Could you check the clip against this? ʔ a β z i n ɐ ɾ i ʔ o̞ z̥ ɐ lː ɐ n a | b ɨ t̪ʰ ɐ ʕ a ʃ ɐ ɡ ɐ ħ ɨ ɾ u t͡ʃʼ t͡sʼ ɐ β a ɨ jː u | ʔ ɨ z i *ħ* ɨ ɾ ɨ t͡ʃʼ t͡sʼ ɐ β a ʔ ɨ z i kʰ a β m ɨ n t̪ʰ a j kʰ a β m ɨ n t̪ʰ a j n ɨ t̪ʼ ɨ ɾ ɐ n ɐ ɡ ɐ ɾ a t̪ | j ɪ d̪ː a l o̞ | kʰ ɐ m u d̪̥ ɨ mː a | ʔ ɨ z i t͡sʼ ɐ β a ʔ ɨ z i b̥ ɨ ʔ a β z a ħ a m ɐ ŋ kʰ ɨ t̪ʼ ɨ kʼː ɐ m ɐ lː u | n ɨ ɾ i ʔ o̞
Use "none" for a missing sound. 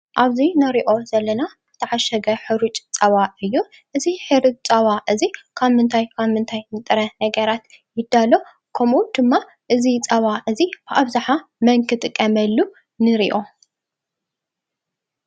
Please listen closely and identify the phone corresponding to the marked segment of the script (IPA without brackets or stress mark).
ħ